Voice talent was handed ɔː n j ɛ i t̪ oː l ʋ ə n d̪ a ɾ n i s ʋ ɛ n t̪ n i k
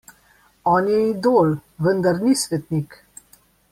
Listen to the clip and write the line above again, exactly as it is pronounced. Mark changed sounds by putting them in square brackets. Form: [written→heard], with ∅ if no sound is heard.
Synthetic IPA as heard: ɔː n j ɛ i [t̪→d̪] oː l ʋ ə n d̪ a ɾ n i s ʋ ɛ [n→∅] t̪ n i k